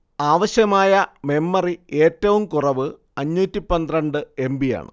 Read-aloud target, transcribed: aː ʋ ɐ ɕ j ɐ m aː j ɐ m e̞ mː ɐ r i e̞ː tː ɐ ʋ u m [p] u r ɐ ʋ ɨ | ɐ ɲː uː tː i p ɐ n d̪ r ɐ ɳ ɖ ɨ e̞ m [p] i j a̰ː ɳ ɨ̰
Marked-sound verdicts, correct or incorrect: incorrect, incorrect

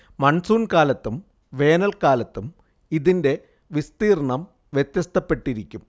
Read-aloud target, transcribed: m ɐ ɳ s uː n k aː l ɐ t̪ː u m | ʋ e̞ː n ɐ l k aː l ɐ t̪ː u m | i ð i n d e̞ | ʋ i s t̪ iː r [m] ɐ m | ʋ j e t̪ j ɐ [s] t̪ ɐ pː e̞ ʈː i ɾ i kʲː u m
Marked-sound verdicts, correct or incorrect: incorrect, correct

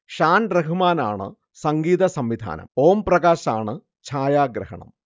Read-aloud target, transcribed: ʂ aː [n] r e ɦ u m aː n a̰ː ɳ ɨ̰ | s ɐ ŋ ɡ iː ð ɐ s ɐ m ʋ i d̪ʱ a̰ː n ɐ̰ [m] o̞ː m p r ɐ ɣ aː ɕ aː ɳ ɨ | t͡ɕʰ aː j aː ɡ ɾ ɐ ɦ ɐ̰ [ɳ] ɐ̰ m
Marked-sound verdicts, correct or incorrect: correct, correct, correct

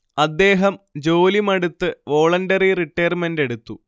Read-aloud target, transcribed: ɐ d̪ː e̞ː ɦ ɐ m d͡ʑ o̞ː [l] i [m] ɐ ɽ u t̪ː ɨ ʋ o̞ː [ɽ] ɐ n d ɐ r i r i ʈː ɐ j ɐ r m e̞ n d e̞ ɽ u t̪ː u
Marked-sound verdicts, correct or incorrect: correct, correct, incorrect

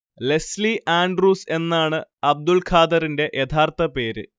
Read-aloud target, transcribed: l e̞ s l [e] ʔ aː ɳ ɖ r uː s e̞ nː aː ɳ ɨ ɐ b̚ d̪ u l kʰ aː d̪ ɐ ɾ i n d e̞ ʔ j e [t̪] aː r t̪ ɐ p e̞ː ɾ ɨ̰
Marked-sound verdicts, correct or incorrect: incorrect, incorrect

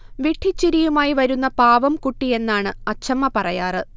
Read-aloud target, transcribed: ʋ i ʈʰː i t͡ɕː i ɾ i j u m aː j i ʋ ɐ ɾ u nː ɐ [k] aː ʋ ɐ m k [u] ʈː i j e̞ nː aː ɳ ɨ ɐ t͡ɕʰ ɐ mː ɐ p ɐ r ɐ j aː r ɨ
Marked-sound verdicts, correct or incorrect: incorrect, correct

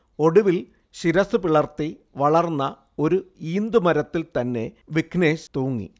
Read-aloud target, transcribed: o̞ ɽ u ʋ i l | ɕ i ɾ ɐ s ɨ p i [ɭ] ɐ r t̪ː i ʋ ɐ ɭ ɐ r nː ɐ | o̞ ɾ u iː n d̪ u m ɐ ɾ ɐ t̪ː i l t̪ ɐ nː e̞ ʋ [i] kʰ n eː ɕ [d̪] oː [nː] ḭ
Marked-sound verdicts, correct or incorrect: correct, correct, incorrect, incorrect

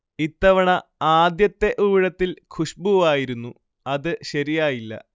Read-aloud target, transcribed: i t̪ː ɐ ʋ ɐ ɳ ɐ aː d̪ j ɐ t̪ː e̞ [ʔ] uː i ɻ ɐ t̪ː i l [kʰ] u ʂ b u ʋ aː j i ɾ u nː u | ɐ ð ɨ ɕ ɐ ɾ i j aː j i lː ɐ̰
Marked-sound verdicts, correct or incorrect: correct, correct

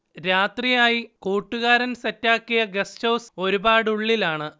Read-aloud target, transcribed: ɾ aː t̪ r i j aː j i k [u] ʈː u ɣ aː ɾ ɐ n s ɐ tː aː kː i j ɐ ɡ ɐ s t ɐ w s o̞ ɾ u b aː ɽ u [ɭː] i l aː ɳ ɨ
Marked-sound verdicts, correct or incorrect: incorrect, correct

